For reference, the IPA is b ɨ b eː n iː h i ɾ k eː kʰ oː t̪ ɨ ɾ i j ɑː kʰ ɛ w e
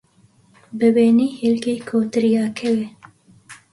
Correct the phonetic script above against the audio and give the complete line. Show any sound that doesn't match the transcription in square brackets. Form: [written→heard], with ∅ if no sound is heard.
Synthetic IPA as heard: b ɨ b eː n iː h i [ɾ→l] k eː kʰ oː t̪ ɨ ɾ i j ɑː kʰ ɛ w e